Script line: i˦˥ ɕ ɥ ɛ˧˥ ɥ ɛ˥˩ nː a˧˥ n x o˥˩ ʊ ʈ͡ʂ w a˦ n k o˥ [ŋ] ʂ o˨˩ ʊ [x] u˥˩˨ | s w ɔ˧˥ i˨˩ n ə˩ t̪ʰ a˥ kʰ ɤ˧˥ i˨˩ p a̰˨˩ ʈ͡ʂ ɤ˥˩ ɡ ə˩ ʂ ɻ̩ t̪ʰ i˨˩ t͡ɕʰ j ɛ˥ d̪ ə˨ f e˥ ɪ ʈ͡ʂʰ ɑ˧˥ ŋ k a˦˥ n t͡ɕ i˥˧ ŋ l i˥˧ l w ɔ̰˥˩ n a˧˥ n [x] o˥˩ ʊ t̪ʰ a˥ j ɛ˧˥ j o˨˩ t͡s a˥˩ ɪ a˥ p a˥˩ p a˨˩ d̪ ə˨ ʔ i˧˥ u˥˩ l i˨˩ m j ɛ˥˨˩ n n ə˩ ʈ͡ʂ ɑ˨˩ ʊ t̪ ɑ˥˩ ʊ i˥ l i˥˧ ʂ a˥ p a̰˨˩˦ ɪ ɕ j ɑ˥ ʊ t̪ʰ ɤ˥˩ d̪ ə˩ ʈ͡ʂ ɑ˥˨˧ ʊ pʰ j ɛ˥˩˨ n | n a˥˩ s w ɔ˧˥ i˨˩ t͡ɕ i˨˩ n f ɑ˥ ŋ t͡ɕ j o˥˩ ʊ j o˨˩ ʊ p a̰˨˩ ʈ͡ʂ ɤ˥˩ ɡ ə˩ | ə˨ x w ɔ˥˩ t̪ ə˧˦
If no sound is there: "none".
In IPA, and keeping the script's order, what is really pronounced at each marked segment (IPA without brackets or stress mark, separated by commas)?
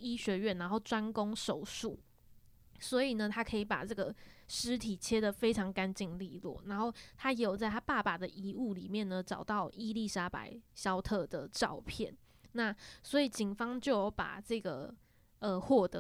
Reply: ŋ, ʂ, x